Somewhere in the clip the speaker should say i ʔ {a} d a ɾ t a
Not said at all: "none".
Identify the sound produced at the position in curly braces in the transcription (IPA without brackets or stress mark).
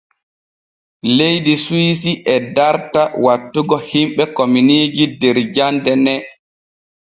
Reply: ɛ